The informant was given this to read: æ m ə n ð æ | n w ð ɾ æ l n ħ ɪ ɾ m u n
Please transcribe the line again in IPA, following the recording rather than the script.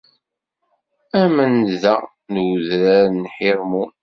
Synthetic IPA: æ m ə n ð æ | n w ð ɾ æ ɾ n ħ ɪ ɾ m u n